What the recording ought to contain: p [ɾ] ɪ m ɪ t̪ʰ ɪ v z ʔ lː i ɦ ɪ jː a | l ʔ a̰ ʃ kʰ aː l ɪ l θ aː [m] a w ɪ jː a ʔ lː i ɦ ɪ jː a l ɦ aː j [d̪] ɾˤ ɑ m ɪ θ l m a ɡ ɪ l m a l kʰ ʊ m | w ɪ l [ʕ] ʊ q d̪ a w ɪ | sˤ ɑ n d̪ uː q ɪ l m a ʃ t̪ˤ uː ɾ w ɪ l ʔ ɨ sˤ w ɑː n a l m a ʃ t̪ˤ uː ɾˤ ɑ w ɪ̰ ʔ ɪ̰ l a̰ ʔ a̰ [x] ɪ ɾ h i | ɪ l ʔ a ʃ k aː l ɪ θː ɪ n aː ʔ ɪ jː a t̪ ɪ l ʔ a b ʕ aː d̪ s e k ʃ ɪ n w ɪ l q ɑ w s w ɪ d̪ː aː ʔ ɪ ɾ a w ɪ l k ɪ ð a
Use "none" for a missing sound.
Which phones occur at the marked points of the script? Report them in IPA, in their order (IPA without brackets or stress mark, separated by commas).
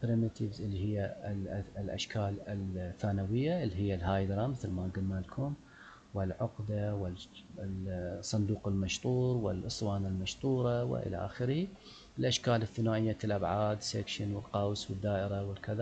ɾ, n, d̪, ʕ, x